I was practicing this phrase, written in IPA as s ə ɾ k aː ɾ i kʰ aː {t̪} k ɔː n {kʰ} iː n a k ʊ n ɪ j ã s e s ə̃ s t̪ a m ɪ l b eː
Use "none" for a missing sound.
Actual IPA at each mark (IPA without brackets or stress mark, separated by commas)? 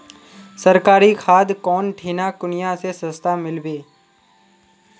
d̪, ʈʰ